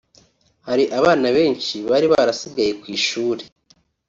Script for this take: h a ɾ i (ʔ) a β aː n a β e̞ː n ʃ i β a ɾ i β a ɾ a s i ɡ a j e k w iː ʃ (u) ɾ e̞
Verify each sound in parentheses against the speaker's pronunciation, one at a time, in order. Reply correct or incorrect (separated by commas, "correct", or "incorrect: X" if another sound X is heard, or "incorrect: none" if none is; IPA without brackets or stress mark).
correct, incorrect: uː